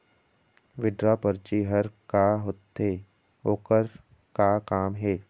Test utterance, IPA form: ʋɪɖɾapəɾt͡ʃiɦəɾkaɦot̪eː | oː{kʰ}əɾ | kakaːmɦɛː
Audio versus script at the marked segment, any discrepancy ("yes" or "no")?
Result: yes